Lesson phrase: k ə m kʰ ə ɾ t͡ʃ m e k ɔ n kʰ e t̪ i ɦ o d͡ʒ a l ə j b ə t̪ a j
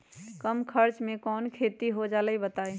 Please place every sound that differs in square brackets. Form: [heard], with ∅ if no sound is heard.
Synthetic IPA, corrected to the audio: k ə m kʰ ə ɾ t͡ʃ m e k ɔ n kʰ e t̪ i ɦ o d͡ʒ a l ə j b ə t̪ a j